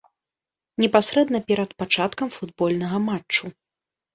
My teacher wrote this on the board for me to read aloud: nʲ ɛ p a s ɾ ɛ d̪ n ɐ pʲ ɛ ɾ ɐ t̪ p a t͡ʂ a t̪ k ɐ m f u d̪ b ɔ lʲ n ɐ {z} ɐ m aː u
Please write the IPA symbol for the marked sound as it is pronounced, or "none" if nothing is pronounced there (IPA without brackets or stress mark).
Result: ɣ